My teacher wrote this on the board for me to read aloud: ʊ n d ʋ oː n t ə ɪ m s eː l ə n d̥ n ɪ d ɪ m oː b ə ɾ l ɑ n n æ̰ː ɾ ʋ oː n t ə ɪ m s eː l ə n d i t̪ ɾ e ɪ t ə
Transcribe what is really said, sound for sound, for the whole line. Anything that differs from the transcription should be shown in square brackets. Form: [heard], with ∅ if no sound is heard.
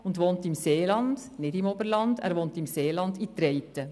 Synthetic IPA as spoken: ʊ n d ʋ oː n t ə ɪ m s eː l [ɑ] n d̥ n ɪ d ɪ m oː b ə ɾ l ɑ n [d] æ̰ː ɾ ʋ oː n t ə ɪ m s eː l [ɑ] n d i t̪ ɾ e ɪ t ə